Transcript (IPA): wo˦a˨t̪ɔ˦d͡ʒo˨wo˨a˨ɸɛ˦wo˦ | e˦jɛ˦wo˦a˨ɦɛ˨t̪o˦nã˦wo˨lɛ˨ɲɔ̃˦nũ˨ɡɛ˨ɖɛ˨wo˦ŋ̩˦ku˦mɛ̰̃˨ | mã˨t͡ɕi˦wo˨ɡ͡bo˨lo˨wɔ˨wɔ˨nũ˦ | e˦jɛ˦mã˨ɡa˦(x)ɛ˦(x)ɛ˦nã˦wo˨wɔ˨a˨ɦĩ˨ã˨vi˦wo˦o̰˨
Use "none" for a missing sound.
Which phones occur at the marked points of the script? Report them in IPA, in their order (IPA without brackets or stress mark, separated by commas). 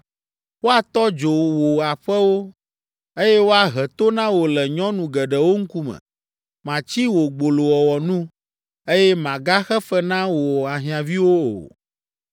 x, f